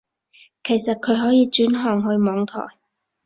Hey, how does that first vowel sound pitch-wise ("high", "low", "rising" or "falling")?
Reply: low